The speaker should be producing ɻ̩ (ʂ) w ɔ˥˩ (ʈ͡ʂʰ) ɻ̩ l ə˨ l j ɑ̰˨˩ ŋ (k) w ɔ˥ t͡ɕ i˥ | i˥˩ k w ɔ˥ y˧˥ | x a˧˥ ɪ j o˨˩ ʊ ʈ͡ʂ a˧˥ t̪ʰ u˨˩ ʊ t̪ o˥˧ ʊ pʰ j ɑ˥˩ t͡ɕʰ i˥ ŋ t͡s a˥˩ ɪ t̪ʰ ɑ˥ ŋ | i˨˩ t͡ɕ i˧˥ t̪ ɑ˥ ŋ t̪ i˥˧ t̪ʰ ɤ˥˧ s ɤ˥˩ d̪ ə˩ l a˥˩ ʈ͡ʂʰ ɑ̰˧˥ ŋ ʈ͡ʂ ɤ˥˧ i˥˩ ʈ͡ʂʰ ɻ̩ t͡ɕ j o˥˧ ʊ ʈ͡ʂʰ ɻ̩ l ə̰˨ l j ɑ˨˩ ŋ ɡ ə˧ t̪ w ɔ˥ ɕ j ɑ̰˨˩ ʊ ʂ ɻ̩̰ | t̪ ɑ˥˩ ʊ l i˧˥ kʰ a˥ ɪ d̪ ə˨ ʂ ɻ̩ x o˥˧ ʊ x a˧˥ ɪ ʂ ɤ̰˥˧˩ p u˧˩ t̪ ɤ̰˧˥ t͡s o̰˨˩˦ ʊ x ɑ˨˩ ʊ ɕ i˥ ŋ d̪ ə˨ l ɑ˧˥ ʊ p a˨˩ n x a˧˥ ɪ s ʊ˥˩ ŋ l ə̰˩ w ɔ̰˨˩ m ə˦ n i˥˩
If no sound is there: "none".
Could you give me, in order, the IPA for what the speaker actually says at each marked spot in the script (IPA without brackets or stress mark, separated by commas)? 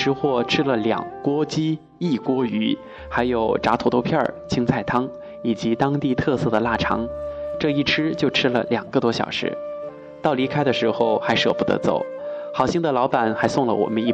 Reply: x, ʈ͡ʂʰ, k